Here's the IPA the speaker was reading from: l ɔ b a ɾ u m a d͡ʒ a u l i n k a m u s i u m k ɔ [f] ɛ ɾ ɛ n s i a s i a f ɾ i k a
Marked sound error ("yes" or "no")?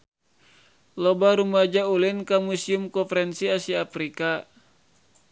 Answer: no